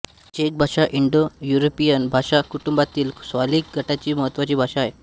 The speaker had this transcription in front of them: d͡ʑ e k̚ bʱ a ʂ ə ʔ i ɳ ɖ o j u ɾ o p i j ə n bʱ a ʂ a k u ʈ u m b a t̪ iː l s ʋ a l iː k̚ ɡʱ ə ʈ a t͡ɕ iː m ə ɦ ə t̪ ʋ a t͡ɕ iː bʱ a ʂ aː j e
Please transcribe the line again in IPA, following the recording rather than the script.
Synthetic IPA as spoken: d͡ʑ e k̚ bʱ a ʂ a ʔ i ɳ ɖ o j u ɾ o p i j ə n bʱ a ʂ a k u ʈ u m b a t̪ iː l s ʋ a l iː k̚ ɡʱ ə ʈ a t͡ɕ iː m ə ɦ ə t̪ ʋ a t͡ɕ iː bʱ a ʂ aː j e